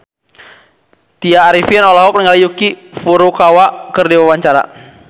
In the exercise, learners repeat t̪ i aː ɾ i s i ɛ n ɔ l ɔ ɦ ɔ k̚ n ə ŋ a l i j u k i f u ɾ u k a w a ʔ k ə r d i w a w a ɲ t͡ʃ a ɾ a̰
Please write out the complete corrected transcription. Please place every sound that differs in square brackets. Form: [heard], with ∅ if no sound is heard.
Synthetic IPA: t̪ i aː ɾ i [f] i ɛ n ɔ l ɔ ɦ ɔ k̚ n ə ŋ a l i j u k i f u ɾ u k a w a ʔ k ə r d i w a w a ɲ t͡ʃ a ɾ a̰